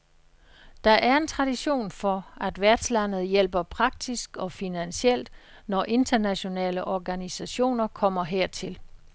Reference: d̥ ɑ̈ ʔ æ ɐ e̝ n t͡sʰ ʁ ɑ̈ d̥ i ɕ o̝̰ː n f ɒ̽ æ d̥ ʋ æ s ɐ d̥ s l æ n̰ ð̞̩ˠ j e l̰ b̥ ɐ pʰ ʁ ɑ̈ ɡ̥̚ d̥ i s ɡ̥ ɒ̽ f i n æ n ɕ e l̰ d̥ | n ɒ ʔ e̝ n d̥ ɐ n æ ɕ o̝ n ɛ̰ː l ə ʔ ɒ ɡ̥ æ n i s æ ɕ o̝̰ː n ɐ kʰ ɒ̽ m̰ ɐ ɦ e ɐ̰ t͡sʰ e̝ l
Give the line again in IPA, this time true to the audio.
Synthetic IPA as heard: d̥ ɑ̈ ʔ æ ɐ e̝ n t͡sʰ ʁ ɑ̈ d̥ i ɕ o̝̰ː n f ɒ̽ æ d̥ ʋ æ ɐ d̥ s l æ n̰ ð̞̩ˠ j e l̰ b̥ ɐ pʰ ʁ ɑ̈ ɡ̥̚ d̥ i s ɡ̥ ɒ̽ f i n æ n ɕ e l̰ d̥ | n ɒ ʔ e̝ n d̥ ɐ n æ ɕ o̝ n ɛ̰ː l ə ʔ ɒ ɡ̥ æ n i s æ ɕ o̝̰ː n ɐ kʰ ɒ̽ m̰ ɐ ɦ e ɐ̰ t͡sʰ e̝ l